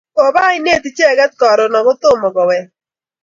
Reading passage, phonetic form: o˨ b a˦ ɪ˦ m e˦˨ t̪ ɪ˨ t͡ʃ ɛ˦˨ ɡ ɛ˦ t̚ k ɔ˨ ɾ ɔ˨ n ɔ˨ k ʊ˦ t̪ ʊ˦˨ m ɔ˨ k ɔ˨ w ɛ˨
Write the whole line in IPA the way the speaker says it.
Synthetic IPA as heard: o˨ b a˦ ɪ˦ n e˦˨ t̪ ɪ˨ t͡ʃ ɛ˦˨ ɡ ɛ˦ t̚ k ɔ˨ ɾ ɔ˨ n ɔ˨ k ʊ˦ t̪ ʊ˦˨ m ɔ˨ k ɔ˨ w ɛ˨